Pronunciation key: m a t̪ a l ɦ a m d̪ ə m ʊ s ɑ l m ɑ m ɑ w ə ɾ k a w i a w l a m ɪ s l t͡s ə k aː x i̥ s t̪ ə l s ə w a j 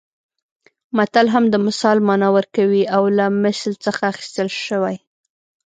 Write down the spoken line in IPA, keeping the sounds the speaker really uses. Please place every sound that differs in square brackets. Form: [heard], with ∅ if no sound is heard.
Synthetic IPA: m a t̪ a l ɦ a m d̪ ə m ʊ s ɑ l m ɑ [n] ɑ w ə ɾ k a w i a w l a m ɪ s l t͡s ə [x] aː x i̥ s t̪ ə l [ʃ] ə w a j